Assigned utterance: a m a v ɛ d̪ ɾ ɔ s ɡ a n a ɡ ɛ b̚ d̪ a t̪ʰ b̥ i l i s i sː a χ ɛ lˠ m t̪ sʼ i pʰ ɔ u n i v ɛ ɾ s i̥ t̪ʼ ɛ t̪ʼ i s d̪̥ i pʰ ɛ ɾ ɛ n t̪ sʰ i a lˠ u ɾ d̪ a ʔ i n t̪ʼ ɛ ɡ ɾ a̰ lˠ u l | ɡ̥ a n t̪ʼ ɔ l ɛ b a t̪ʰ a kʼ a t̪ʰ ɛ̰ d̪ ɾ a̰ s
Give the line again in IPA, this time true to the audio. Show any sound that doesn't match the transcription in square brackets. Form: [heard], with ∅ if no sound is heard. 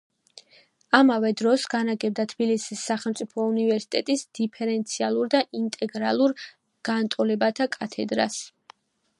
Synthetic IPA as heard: a m a v ɛ d̪ ɾ ɔ s ɡ a n a ɡ ɛ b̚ d̪ a t̪ʰ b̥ i l i s i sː a χ ɛ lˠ m t̪ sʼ i pʰ ɔ u n i v ɛ ɾ s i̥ t̪ʼ ɛ t̪ʼ i s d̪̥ i pʰ ɛ ɾ ɛ n t̪ sʰ i a lˠ u ɾ d̪ a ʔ i n t̪ʼ ɛ ɡ ɾ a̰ lˠ u [ɾ] | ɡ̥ a n t̪ʼ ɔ l ɛ b a t̪ʰ a kʼ a t̪ʰ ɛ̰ d̪ ɾ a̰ s